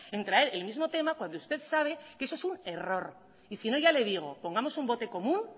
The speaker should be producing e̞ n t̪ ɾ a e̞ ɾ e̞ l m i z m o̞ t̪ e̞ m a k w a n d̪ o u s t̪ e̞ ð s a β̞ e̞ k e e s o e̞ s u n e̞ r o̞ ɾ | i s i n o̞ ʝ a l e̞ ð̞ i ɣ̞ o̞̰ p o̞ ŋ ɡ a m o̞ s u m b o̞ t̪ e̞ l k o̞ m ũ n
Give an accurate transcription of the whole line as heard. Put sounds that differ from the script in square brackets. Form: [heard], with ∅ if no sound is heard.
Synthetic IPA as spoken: e̞ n t̪ ɾ a e̞ ɾ e̞ l m i z m o̞ t̪ e̞ m a k w a n d̪ o u s t̪ e̞ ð s a β̞ e̞ k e e s o e̞ s u n e̞ r o̞ ɾ | i s i n o̞ ʝ a l e̞ ð̞ i ɣ̞ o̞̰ p o̞ ŋ ɡ a m o̞ s u m b o̞ t̪ e̞ [∅] k o̞ m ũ n